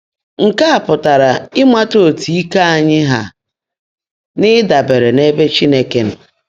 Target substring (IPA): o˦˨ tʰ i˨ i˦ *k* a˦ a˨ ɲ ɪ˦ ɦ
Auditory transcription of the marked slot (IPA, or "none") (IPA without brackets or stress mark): k